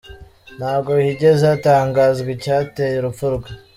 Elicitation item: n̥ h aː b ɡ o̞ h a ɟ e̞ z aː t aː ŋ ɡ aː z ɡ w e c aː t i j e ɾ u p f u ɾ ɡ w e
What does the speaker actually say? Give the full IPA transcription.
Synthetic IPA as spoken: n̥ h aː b ɡ o̞ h i ɟ e̞ z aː t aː ŋ ɡ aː z ɡ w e c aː t e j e ɾ u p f u ɾ ɡ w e